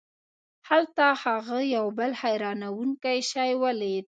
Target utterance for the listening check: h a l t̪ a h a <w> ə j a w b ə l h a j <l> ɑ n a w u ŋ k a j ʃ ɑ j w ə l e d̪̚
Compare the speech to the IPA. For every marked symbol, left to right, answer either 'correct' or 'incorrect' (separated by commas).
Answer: incorrect, incorrect